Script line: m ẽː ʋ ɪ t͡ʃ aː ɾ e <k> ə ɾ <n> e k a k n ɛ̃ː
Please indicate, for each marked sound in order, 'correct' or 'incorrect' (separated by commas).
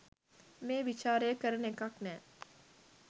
correct, correct